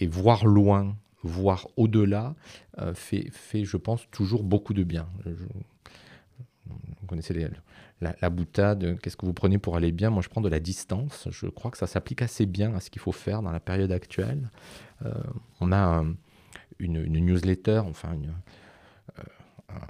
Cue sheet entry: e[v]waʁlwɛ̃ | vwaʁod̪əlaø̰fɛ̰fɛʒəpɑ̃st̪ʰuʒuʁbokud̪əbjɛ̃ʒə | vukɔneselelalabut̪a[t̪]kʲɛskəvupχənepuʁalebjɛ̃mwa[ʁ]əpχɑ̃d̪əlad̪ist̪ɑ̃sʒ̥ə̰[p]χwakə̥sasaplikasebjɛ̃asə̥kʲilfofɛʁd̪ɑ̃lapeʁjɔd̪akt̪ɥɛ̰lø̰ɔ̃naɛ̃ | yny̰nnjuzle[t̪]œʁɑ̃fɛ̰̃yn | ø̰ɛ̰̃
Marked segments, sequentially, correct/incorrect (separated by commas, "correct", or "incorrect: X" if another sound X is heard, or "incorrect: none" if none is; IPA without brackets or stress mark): correct, incorrect: d̪, incorrect: ʒ, incorrect: k, correct